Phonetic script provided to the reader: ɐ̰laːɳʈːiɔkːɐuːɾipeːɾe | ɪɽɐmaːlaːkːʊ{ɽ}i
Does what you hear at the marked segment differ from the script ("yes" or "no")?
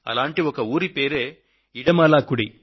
no